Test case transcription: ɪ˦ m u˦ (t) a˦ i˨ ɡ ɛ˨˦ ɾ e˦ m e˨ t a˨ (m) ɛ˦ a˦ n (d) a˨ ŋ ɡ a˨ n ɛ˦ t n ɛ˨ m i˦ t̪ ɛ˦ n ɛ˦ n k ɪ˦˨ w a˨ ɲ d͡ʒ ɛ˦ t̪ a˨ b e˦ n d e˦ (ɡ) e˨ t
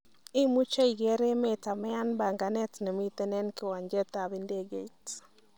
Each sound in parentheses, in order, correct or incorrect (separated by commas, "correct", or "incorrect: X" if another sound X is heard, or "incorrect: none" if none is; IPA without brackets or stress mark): incorrect: t͡ʃ, correct, incorrect: b, correct